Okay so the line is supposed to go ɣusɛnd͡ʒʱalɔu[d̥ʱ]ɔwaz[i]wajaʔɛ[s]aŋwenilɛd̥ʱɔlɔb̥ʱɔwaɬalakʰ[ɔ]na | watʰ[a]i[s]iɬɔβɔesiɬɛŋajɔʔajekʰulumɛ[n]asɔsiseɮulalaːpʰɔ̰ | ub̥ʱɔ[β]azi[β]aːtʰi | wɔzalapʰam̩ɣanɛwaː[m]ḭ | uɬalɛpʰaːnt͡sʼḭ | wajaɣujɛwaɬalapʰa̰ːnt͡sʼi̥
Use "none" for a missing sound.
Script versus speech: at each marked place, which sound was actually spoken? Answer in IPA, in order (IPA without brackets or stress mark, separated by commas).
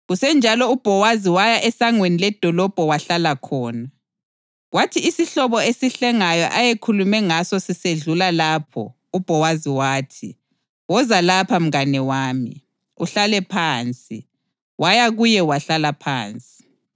b̥ʱ, i, s, ɔː, i, s, ŋ, w, w, m